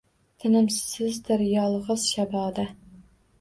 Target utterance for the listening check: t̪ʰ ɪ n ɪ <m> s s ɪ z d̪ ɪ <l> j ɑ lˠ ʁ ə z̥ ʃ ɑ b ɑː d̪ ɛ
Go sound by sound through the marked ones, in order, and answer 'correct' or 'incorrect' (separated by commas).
correct, incorrect